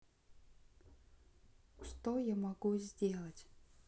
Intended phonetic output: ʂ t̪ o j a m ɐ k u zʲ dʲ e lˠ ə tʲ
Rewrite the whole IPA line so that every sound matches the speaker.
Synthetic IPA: ʂ t̪ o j a m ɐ ɡ u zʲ dʲ e lˠ ə tʲ

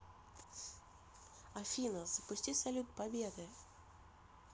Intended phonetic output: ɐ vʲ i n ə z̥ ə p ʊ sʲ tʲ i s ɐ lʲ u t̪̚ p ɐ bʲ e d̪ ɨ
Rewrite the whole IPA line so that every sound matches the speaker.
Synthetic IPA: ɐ fʲ i n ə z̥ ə p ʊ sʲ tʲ i s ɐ lʲ u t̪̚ p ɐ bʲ e d̪ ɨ

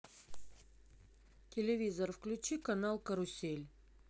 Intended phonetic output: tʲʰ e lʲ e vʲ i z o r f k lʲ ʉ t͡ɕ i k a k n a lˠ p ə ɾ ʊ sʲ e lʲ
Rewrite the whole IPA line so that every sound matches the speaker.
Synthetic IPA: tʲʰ e lʲ e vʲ i z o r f k lʲ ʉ t͡ɕ i k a n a lˠ k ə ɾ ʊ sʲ e lʲ

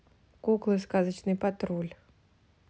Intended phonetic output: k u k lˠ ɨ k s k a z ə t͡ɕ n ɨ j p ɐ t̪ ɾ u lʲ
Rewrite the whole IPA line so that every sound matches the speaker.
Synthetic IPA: k u k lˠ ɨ s k a z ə t͡ɕ n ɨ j p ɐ t̪ ɾ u lʲ

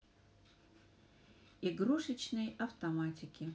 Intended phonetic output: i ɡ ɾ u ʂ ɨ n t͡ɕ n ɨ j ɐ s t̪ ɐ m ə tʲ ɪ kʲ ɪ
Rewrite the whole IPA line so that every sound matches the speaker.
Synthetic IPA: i ɡ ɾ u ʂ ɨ t͡ɕ n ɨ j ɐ f t̪ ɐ m a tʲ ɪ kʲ ɪ

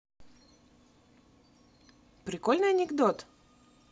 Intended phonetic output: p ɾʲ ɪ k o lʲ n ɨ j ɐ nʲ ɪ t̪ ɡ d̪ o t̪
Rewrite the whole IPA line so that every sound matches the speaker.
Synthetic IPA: p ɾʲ ɪ k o lʲ n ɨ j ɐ nʲ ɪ ɡ d̪ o t̪

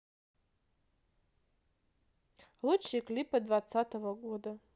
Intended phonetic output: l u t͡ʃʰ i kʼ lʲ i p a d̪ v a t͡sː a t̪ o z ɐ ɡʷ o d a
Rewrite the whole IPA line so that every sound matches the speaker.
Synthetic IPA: l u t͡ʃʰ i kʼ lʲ i p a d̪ v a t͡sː a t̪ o v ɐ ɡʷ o d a

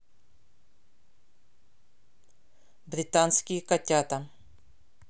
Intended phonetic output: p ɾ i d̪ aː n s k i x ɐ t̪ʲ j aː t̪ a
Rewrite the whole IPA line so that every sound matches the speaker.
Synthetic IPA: b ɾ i t̪ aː n s k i k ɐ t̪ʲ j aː t̪ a

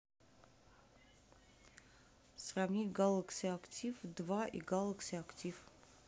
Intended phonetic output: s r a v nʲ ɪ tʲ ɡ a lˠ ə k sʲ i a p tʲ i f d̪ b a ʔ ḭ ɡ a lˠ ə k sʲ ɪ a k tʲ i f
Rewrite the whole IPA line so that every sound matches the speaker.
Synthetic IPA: s r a v nʲ i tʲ ɡ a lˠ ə k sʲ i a k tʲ i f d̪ v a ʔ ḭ ɡ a lˠ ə k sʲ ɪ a k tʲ i f

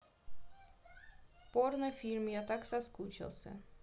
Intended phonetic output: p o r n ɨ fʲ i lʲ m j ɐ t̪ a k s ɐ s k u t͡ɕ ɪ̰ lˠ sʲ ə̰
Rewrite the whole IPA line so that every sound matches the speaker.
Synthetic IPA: p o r n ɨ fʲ i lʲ m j a t̪ a k s ɐ s k u t͡ɕ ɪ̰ lˠ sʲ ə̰

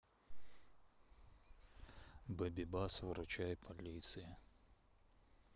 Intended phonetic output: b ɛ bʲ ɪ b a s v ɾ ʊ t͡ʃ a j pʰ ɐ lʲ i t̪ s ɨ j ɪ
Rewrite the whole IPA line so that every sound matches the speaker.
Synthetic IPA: b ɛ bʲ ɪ b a s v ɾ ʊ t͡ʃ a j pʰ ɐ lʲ i t̪ s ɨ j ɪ

